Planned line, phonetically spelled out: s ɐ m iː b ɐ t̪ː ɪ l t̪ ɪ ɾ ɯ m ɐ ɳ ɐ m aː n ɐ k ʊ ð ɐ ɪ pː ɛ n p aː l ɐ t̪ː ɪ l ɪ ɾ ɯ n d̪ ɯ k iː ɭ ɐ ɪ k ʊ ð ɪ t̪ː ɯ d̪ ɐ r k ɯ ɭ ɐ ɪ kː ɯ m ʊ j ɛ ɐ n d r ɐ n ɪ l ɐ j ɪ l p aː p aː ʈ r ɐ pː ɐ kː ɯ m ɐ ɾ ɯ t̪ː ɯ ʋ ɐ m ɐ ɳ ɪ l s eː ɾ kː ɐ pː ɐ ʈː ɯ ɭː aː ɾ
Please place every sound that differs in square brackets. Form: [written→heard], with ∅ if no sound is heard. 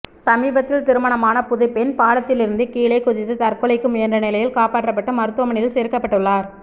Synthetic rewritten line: s ɐ m iː b ɐ t̪ː ɪ l t̪ ɪ ɾ ɯ m ɐ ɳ ɐ m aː n ɐ [k→p] ʊ ð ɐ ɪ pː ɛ n p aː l ɐ t̪ː ɪ l ɪ ɾ ɯ n d̪ ɯ k iː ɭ ɐ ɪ k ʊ ð ɪ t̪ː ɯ [d̪→t̪] ɐ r k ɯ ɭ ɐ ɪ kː ɯ m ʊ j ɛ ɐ n d r ɐ n ɪ l ɐ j ɪ l [p→k] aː p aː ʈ r ɐ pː ɐ [kː→ʈː] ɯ m ɐ ɾ ɯ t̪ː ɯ ʋ ɐ m ɐ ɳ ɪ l s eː ɾ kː ɐ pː ɐ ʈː ɯ ɭː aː ɾ